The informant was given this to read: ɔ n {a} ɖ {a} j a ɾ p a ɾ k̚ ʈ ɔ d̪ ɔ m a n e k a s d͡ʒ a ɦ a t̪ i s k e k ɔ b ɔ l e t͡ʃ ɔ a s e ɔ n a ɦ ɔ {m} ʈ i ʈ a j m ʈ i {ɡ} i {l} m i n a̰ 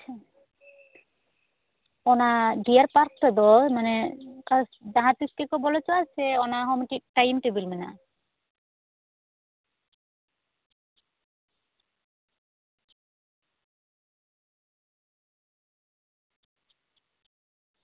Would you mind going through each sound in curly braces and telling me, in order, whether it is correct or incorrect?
correct, incorrect: i, correct, incorrect: b, correct

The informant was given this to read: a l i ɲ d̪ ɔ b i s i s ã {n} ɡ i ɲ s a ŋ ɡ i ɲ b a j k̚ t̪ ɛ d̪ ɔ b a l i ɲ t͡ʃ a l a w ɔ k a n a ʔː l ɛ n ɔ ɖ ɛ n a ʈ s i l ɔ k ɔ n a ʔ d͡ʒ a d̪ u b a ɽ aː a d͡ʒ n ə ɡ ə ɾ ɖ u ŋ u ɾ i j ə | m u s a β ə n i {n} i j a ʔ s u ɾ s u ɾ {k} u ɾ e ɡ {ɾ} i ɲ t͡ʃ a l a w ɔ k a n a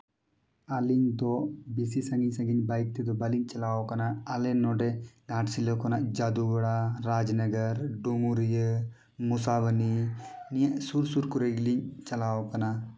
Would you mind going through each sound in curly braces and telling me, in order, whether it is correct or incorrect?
incorrect: ŋ, correct, correct, incorrect: l

